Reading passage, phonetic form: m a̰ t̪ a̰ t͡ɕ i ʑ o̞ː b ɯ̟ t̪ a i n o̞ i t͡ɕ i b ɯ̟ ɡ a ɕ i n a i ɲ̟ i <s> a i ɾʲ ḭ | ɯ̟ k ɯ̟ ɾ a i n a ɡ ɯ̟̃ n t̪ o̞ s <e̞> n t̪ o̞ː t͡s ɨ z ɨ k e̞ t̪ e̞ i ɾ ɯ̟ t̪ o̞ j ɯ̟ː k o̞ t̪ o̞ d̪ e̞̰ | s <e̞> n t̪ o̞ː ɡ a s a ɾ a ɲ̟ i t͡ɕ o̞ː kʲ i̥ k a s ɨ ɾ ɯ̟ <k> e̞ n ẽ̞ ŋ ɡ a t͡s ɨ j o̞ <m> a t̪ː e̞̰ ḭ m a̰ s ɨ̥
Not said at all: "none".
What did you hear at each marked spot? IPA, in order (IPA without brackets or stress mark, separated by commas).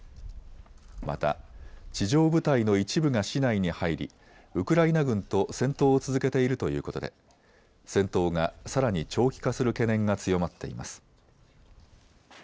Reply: h, ẽ̞, ẽ̞, k, m